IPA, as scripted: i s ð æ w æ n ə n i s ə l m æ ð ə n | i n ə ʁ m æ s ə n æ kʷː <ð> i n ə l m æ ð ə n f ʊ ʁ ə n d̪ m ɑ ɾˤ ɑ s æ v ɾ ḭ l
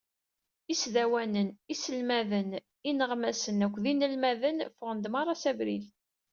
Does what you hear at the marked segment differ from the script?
no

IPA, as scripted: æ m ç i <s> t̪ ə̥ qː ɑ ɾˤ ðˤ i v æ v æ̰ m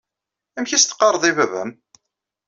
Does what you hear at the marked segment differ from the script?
no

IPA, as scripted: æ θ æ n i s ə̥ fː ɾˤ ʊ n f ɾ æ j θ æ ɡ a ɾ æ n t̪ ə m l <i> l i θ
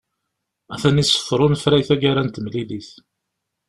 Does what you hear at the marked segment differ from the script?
no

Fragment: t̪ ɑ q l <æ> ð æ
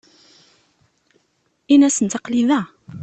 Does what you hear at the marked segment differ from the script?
yes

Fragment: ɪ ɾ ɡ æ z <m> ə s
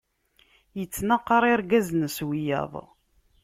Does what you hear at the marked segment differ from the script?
yes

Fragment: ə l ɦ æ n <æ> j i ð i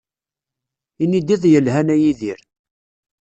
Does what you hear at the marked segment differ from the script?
no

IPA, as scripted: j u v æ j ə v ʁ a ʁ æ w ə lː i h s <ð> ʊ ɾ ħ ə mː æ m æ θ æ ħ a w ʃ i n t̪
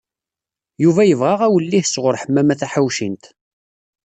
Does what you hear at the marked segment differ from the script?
yes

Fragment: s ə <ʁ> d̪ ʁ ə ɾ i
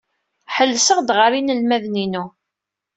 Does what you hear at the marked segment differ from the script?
no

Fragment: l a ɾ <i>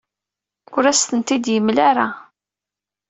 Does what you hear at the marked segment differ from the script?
yes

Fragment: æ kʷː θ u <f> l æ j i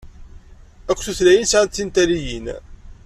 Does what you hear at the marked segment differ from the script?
yes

